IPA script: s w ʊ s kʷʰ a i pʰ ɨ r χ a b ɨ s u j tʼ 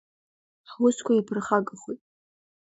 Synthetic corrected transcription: ħ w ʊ s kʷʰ a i pʰ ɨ r χ a ɡ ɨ χ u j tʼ

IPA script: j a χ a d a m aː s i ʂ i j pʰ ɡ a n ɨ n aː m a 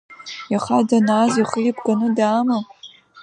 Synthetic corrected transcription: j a χ a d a n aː z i χ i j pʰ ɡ a n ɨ d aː m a

